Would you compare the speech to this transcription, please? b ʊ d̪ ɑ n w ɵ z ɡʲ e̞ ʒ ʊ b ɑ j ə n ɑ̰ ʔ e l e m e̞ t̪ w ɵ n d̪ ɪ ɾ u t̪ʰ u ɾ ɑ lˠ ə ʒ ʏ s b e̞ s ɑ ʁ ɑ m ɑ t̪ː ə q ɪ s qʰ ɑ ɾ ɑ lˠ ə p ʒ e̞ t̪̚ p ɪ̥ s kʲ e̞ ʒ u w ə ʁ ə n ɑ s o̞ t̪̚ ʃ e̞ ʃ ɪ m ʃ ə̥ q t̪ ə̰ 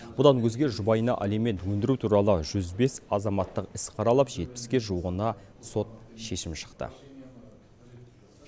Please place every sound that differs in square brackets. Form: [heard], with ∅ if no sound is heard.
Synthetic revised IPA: b ʊ d̪ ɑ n w ɵ z ɡʲ e̞ ʒ ʊ b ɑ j ə n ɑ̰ ʔ [æ] l e m e̞ t̪ w ɵ n d̪ ɪ ɾ u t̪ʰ u ɾ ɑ lˠ ə ʒ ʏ [z] b e̞ s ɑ [z] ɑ m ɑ t̪ː ə q ɪ s qʰ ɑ ɾ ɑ lˠ ə p ʒ e̞ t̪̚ p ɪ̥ s kʲ e̞ ʒ u w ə ʁ ə n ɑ s o̞ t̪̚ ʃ e̞ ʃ ɪ m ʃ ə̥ q t̪ ə̰